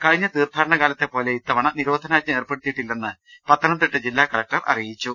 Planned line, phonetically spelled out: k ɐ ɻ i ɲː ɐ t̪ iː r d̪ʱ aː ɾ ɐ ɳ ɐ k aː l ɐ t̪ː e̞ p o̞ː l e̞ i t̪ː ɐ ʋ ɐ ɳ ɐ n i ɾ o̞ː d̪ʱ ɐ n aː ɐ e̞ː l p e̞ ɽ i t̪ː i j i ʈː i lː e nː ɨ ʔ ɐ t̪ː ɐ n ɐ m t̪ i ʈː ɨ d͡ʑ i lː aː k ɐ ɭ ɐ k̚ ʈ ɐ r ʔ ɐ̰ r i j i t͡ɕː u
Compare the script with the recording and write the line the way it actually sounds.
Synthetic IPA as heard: k ɐ ɻ i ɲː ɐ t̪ iː r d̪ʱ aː ɾ ɐ ɳ ɐ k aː l ɐ t̪ː e̞ p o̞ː l e̞ i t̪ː ɐ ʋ ɐ ɳ ɐ n i ɾ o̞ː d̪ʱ ɐ n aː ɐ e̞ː r p e̞ ɽ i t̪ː i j i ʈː i lː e nː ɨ p ɐ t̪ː ɐ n ɐ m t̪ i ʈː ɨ d͡ʑ i lː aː k ɐ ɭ ɐ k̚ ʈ ɐ r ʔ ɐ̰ r i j i t͡ɕː u